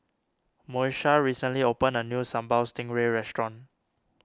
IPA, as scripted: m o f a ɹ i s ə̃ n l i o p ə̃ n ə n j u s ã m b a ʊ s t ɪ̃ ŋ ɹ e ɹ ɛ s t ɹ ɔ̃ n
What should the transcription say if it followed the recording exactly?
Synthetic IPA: m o ʃ a ɹ i s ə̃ n l i o p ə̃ n ə n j u s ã m b a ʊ s t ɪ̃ ŋ ɹ e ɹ ɛ s t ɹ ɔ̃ n